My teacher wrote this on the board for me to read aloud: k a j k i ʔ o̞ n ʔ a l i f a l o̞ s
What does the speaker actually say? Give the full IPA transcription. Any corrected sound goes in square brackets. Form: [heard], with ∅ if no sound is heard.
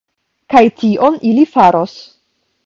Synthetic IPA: k a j [t] i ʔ o̞ n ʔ [i] l i f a [ɾ] o̞ s

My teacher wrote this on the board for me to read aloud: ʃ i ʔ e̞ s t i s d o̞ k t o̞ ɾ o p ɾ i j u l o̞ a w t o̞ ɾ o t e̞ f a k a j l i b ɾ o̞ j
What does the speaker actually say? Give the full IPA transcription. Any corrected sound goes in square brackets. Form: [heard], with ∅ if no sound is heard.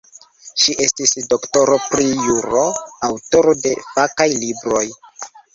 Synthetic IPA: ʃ i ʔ e̞ s t i s d o̞ k t o̞ ɾ o p ɾ i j u [ɾ] o̞ a w t o̞ ɾ o [d] e̞ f a k a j l i b ɾ o̞ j

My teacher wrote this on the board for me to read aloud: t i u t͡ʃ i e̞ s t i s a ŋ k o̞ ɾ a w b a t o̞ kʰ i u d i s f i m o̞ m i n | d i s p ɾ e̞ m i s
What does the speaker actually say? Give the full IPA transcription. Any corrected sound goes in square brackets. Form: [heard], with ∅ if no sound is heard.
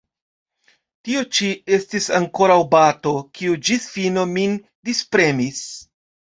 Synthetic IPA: t i [o] t͡ʃ i e̞ s t i s a ŋ k o̞ ɾ a w b a t o̞ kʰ i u [d͡ʒ] i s f i [n] o̞ m i n | d i s p ɾ e̞ m i s

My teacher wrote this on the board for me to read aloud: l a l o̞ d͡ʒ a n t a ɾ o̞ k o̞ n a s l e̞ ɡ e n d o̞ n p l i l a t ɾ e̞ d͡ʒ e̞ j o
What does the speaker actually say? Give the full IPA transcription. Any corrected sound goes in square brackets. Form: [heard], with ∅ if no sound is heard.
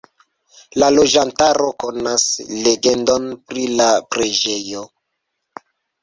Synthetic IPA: l a l o̞ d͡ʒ a n t a ɾ o̞ k o̞ n a s l e̞ ɡ e n d o̞ n p [ɾ] i l a [p] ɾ e̞ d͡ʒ e̞ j o

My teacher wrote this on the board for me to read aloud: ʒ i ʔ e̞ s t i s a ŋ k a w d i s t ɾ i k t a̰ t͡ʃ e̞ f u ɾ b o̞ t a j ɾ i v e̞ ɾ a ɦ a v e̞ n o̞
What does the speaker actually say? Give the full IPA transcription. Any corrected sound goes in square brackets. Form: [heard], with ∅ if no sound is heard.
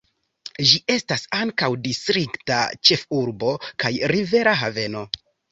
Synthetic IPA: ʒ i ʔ e̞ s t [a] s a ŋ k a w d i s t ɾ i k t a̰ t͡ʃ e̞ f u ɾ b o̞ [k] a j ɾ i v e̞ ɾ a ɦ a v e̞ n o̞

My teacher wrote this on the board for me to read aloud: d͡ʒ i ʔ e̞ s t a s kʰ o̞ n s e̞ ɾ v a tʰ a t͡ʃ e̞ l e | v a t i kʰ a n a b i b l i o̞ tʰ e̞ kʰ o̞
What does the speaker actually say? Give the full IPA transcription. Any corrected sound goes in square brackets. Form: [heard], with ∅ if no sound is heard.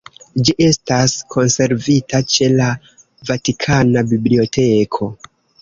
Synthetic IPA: d͡ʒ i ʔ e̞ s t a s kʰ o̞ n s e̞ ɾ v [i] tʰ a t͡ʃ e̞ l [a] | v a t i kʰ a n a b i b l i o̞ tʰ e̞ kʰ o̞

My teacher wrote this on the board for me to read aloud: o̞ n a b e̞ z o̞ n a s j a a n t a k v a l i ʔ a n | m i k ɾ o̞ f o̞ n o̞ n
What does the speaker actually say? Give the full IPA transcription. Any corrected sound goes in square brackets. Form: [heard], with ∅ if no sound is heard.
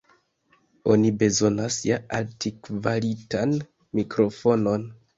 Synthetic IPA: o̞ n [i] b e̞ z o̞ n a s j a a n t [i] k v a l i [t] a n | m i k ɾ o̞ f o̞ n o̞ n

